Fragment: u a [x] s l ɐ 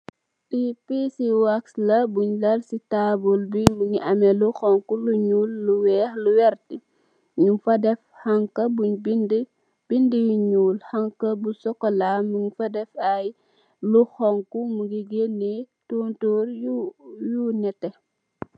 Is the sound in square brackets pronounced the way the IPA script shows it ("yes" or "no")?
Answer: no